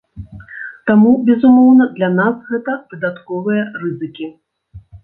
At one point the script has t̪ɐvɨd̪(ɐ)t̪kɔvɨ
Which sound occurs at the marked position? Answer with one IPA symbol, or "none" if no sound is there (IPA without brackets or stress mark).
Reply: a